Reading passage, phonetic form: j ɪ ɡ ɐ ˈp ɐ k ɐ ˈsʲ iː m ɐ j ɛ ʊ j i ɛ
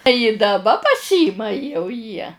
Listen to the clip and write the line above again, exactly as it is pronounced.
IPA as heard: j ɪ d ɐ ˈb ɐ p ɐ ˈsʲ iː m ɐ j ɛ ʊ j i ɛ